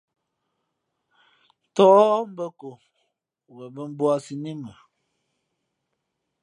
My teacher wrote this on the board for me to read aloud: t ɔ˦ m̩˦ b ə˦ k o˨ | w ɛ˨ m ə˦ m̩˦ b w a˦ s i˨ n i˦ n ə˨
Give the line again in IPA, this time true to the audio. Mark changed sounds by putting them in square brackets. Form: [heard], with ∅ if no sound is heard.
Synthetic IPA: t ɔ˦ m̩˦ b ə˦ k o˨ | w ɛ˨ [b] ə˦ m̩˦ b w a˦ s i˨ n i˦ [m] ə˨